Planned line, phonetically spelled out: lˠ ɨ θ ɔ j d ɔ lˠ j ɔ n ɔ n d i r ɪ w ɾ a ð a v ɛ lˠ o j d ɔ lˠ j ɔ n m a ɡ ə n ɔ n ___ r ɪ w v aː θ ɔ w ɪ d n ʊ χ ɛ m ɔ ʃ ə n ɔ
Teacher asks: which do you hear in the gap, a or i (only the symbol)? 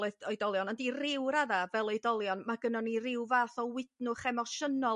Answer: i